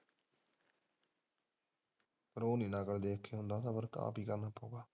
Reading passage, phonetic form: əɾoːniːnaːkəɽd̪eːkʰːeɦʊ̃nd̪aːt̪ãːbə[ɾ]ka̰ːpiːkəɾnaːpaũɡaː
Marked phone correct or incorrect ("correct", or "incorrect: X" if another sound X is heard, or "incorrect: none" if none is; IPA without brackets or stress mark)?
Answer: correct